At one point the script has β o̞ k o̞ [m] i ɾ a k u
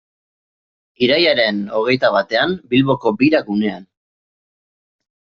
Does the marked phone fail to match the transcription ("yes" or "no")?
yes